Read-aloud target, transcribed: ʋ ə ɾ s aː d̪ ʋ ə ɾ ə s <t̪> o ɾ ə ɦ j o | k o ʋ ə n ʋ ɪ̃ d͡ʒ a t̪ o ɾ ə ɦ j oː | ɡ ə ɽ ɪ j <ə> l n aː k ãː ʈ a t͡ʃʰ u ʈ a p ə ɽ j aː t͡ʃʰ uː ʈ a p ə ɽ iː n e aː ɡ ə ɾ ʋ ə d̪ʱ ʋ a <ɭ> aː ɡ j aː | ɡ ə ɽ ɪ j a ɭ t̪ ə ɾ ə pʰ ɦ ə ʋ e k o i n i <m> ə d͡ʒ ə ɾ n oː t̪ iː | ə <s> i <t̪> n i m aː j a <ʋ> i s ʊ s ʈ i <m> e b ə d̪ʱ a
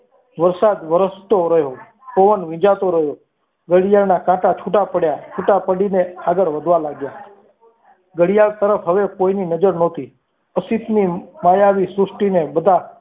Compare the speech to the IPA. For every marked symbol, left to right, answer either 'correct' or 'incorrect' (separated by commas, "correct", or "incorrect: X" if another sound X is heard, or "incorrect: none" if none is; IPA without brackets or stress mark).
correct, incorrect: a, incorrect: l, incorrect: n, correct, correct, correct, incorrect: n